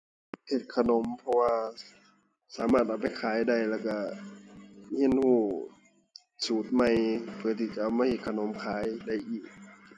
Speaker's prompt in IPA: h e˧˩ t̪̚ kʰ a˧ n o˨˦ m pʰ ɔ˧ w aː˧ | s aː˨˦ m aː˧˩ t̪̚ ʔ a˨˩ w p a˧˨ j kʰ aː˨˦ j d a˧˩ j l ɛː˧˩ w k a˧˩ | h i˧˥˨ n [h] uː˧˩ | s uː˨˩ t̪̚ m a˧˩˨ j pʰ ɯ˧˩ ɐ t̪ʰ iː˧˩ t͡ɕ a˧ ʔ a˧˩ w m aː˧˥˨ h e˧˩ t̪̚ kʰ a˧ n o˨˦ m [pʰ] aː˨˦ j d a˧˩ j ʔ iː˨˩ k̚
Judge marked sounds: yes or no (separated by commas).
yes, no